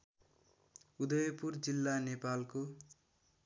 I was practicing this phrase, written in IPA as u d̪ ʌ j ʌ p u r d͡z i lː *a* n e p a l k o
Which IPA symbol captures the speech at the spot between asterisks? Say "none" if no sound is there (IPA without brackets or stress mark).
a